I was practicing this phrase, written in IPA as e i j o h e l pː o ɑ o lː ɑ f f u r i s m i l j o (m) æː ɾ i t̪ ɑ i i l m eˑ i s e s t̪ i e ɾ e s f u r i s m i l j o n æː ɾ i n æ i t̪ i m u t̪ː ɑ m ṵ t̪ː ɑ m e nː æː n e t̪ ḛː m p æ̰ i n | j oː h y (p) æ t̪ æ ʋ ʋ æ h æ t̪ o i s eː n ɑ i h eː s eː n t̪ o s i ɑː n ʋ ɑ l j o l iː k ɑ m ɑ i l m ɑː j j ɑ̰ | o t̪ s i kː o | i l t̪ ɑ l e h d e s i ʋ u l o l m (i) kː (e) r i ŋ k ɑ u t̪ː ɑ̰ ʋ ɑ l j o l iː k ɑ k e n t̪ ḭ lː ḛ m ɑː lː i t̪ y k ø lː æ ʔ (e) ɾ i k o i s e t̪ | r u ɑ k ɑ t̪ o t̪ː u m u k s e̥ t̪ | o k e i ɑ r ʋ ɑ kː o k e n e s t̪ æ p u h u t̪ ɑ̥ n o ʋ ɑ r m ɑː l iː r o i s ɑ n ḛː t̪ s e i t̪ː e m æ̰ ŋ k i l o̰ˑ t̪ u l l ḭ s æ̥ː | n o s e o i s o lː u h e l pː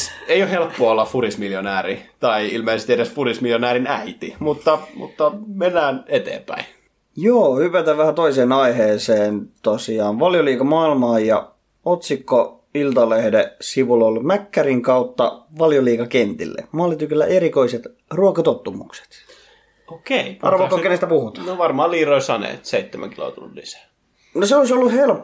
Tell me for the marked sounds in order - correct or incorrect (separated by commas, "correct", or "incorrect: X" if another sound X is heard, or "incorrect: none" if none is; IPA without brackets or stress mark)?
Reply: incorrect: n, correct, incorrect: æ, incorrect: æ, correct